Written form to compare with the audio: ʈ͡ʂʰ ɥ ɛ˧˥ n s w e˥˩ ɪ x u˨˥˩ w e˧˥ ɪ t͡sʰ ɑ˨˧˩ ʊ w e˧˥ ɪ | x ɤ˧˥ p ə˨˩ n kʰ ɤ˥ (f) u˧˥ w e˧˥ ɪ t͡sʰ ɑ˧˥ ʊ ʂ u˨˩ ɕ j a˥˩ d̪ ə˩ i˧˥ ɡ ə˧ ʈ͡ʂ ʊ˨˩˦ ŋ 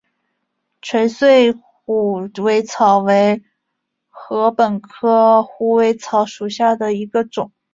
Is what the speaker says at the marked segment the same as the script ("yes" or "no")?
no